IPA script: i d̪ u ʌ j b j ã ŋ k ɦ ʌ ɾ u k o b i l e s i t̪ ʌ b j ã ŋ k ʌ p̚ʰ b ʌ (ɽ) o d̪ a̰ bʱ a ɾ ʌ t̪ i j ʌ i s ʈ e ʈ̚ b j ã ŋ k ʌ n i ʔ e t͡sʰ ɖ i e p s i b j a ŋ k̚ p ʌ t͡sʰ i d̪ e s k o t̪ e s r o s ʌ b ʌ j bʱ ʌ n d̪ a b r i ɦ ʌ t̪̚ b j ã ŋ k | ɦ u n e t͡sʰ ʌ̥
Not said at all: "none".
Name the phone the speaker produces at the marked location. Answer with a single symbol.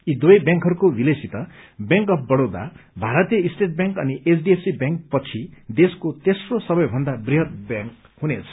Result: ɽ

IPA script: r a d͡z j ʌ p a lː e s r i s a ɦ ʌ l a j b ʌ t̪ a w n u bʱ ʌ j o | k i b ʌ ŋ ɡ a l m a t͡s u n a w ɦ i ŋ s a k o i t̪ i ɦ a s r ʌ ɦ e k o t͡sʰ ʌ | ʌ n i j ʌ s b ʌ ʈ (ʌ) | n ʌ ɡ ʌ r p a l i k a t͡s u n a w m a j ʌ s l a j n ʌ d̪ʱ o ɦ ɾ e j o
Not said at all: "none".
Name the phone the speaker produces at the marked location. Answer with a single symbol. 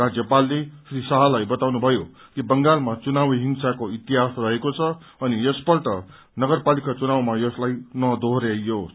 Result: ʌ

